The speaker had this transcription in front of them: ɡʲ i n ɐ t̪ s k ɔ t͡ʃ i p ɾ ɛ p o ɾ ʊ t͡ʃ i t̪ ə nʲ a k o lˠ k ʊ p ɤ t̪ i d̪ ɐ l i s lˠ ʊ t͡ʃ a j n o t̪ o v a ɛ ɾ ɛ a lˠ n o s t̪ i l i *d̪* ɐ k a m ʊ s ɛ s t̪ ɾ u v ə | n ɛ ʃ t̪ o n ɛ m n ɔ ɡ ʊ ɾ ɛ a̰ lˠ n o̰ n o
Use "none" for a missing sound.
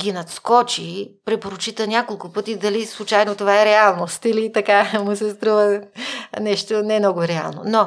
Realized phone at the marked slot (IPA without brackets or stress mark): t̪